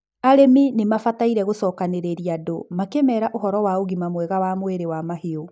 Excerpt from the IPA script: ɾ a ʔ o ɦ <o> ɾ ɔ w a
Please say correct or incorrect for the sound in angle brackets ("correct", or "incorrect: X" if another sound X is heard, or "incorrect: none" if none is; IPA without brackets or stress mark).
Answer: incorrect: ɔ